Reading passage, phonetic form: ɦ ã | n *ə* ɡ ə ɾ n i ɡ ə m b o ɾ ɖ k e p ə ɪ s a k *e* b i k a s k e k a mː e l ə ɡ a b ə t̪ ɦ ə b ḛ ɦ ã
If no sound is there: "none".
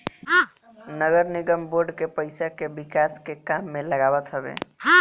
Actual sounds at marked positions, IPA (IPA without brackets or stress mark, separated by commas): ə, e